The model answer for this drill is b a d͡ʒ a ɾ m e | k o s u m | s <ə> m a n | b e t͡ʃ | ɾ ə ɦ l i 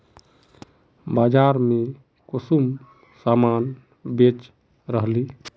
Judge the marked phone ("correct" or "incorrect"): incorrect